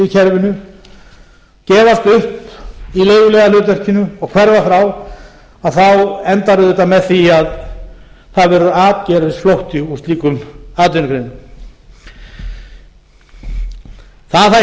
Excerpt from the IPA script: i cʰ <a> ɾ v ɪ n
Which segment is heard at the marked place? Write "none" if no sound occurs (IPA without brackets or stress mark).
ɛ